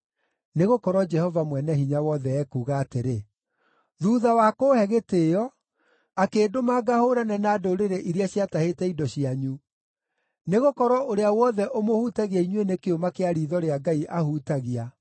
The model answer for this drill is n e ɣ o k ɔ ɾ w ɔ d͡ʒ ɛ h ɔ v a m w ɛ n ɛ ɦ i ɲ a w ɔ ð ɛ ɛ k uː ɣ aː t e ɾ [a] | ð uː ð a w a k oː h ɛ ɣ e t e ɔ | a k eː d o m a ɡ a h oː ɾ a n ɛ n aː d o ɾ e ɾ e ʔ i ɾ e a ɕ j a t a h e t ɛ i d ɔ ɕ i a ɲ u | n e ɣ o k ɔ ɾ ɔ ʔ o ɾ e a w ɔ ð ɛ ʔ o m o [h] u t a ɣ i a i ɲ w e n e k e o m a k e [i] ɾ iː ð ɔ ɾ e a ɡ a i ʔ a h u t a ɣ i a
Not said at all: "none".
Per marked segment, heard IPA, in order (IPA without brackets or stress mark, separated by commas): e, h, a